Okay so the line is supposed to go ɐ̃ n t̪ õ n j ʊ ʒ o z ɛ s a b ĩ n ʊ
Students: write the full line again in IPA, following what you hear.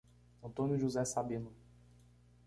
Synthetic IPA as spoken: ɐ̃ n t̪ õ n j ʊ ʒ u z ɛ s a b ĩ n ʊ